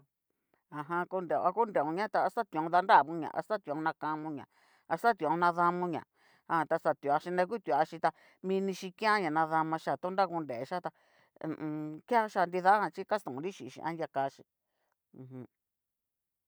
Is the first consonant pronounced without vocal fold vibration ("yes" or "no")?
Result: no